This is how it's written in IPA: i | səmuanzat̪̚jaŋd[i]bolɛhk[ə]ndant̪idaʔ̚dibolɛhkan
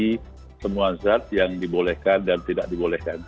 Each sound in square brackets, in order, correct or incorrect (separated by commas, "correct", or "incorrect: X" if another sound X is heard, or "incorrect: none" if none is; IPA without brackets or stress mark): correct, incorrect: a